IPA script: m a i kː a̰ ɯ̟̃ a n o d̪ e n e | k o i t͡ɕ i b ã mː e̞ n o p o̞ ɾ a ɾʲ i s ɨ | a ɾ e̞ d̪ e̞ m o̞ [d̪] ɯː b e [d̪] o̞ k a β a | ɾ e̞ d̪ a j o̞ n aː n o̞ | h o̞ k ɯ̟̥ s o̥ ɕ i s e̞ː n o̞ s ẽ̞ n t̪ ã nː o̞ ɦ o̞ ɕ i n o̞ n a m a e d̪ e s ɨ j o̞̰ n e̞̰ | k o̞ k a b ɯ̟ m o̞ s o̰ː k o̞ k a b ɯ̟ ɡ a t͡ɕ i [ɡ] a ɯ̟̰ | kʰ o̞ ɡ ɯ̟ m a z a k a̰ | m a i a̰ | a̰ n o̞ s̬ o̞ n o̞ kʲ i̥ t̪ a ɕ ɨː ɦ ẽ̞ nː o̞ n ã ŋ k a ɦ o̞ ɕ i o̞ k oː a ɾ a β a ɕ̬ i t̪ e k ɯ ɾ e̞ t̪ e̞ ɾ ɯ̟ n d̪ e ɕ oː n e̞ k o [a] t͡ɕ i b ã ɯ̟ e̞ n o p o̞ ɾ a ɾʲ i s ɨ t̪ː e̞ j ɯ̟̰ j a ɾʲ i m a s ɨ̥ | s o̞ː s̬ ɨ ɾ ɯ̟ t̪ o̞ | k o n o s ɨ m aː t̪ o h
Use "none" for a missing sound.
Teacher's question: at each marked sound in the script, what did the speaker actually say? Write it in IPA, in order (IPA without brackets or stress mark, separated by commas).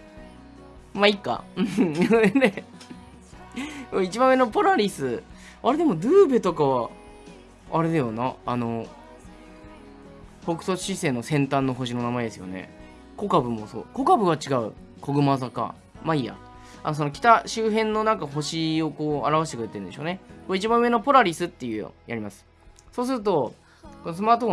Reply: d̪, t̪, ɡ, i